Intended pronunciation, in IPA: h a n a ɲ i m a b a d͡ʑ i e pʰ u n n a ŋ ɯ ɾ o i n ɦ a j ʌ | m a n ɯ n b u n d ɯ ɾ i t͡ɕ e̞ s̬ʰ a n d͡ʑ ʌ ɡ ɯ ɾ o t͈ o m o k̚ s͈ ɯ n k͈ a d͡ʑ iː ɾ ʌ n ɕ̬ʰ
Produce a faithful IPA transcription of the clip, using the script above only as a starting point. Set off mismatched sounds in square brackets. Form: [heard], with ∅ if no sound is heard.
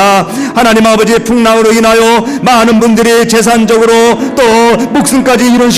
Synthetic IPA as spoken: h a n a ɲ i m a b [ʌ] d͡ʑ i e pʰ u [ŋ] n a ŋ ɯ ɾ o i n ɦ a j ʌ | m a n ɯ n b u n d ɯ ɾ i t͡ɕ e̞ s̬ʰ a n d͡ʑ ʌ ɡ ɯ ɾ o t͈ o m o k̚ s͈ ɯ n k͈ a d͡ʑ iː ɾ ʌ n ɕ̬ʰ